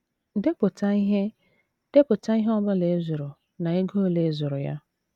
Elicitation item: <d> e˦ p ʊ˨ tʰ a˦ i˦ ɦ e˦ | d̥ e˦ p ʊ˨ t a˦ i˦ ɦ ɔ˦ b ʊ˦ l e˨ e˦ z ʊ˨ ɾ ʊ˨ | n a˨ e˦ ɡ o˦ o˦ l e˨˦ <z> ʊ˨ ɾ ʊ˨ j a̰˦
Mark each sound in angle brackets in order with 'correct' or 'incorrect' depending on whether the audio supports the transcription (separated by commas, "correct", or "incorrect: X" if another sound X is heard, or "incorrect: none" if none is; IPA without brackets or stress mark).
correct, correct